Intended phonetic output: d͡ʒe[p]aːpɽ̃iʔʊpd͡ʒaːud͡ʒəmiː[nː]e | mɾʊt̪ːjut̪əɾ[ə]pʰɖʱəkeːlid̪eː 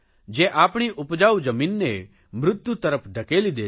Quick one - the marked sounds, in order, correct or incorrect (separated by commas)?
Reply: incorrect, correct, correct